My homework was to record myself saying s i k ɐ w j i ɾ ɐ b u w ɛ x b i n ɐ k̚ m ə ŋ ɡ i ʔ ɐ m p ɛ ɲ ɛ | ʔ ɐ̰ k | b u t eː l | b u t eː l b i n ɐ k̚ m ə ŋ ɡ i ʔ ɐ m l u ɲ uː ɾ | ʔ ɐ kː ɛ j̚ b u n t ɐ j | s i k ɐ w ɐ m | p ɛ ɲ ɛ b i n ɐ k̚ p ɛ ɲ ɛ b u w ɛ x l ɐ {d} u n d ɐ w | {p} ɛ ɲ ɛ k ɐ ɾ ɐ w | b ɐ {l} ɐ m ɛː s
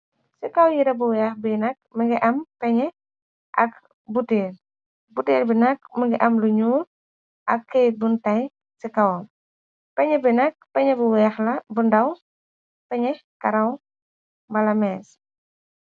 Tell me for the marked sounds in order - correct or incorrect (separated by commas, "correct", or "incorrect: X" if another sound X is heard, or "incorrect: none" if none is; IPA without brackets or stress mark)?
incorrect: b, correct, correct